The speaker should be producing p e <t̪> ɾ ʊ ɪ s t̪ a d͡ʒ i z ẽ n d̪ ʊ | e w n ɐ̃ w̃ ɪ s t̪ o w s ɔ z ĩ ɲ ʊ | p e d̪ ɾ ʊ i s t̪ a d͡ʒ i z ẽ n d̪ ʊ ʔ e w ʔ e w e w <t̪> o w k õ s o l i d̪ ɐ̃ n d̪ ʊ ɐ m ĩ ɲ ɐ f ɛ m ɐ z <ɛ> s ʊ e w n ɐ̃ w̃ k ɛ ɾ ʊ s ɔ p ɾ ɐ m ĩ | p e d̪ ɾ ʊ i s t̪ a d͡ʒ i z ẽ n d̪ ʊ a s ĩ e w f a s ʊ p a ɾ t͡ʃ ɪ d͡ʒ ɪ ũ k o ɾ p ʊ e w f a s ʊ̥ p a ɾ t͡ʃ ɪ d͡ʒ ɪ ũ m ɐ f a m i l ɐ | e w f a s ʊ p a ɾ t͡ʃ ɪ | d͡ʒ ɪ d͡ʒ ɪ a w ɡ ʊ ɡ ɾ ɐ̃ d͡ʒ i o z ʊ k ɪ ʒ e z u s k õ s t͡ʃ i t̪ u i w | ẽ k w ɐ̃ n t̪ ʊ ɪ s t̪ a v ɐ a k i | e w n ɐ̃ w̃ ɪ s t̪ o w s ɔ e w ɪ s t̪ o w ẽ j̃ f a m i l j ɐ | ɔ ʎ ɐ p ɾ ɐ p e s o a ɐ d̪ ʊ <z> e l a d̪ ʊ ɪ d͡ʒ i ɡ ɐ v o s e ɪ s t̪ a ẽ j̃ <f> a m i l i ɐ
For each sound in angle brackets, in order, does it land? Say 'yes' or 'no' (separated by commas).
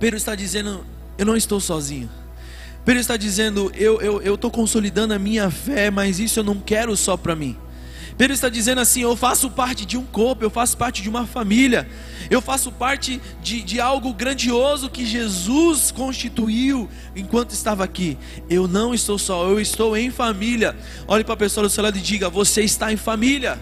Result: no, yes, no, no, yes